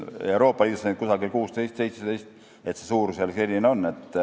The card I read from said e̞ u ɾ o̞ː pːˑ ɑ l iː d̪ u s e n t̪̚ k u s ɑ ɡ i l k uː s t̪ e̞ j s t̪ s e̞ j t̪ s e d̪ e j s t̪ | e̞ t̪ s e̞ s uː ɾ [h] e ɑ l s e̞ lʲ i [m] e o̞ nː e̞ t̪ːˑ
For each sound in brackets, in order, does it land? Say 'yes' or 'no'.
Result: no, no

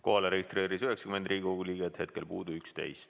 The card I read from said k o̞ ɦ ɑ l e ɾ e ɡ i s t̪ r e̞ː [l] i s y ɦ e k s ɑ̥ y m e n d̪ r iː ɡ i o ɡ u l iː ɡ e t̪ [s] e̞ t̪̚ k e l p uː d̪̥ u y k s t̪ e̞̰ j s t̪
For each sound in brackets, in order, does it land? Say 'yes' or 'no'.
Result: no, no

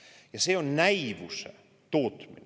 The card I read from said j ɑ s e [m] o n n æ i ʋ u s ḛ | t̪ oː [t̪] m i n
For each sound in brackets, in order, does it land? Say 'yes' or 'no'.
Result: no, yes

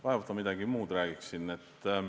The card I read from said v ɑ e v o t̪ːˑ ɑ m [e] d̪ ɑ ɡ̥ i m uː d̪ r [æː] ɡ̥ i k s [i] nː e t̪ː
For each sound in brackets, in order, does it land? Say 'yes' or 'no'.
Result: no, yes, yes

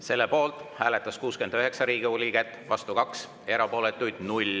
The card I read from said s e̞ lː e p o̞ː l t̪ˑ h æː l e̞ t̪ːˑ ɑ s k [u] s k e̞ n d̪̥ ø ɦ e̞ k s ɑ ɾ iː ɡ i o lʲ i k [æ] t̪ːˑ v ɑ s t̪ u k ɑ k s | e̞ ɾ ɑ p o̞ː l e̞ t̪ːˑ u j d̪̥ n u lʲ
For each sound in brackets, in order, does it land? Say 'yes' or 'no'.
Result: no, yes

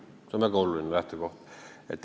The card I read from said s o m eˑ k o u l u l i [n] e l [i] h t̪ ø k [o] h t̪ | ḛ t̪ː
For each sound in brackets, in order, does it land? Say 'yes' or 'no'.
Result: yes, no, yes

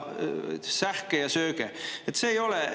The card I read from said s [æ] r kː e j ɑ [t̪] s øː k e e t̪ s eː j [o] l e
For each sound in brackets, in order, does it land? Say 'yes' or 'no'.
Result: yes, no, yes

